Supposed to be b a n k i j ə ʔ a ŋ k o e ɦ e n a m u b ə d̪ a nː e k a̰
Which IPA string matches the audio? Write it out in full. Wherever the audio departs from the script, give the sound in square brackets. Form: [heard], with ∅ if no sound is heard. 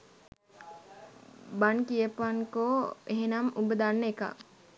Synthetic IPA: b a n k i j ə [p] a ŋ k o e ɦ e n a m u b ə d̪ a nː e k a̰